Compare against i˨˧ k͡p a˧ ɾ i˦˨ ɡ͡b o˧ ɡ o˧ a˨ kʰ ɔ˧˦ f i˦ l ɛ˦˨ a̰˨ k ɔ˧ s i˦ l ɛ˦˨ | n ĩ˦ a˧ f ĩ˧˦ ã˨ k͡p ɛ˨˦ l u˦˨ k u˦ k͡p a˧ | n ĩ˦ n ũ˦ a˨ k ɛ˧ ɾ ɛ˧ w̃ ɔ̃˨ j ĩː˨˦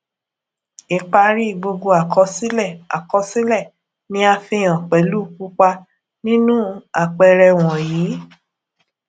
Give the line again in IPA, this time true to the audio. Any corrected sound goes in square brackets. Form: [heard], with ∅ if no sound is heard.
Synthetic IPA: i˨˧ k͡p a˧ ɾ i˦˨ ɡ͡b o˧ ɡ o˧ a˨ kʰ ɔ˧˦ [s] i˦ l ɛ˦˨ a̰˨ k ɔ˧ s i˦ l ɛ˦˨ | n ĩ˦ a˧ f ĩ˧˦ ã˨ k͡p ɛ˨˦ l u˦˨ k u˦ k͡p a˧ | n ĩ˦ n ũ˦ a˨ [k͡p] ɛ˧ ɾ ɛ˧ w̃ ɔ̃˨ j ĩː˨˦